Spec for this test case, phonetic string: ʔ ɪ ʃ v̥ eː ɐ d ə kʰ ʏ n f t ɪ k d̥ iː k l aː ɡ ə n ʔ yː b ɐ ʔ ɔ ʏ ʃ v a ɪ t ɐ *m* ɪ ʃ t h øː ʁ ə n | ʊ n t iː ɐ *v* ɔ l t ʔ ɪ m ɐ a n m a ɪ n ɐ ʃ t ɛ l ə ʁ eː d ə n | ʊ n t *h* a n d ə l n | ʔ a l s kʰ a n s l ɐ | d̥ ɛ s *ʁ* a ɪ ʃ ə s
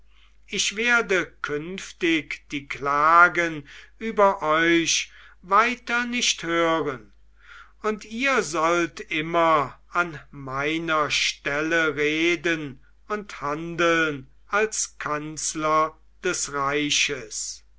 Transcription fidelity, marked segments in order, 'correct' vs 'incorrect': incorrect, incorrect, correct, correct

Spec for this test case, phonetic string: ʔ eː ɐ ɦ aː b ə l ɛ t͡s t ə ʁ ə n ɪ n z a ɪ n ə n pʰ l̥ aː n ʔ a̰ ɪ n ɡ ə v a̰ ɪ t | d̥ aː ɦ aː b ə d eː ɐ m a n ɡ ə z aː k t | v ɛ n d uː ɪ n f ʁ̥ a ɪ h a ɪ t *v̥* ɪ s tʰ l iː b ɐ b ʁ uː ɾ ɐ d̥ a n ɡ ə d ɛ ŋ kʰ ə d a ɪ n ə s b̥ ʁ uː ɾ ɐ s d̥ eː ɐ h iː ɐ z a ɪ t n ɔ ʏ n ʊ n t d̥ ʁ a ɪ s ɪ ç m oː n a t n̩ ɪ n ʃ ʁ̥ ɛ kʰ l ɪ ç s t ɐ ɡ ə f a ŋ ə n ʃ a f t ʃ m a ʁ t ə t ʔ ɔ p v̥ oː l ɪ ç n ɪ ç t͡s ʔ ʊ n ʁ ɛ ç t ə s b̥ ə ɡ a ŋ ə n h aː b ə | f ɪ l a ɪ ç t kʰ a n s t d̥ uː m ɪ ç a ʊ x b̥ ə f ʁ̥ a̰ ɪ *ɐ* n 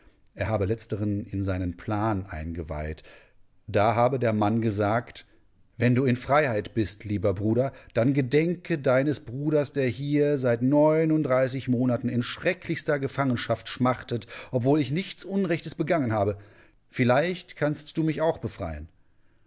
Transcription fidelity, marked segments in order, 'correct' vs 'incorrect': incorrect, incorrect

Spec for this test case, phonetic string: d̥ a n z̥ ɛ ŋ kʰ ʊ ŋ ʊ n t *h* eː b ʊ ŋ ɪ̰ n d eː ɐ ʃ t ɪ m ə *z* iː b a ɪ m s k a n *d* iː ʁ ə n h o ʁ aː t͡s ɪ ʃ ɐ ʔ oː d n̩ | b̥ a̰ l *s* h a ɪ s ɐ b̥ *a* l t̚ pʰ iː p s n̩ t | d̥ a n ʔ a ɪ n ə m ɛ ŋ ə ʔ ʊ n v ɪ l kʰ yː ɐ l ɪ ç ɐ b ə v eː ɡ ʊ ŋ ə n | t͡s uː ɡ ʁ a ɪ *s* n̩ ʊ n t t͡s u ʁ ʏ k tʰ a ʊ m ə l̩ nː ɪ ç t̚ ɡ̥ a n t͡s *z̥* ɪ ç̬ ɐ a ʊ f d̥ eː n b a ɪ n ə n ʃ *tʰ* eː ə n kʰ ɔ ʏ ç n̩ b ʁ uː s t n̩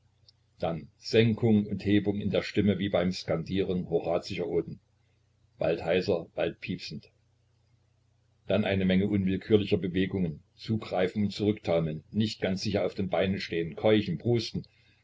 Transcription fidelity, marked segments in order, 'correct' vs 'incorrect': correct, incorrect, correct, incorrect, correct, incorrect, correct, incorrect

